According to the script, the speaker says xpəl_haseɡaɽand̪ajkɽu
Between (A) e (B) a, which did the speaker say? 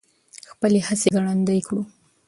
A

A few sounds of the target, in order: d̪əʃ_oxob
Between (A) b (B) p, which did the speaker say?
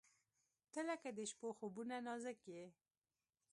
B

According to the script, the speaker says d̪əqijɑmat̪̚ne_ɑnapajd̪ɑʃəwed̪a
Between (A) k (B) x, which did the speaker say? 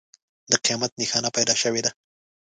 B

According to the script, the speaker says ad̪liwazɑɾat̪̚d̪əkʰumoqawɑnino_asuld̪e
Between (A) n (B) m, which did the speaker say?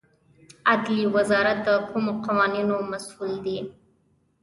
B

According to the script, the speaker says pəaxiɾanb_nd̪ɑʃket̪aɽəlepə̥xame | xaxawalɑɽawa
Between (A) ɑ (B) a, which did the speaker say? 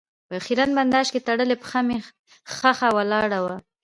B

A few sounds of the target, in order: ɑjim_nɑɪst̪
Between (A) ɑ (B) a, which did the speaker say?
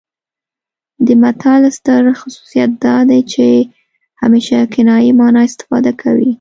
A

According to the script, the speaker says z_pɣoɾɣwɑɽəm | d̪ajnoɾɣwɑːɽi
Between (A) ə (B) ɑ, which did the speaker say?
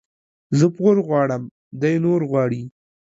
A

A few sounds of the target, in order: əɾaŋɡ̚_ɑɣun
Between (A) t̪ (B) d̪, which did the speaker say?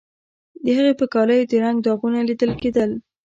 B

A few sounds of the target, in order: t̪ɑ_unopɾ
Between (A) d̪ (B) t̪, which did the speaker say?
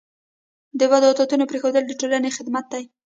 B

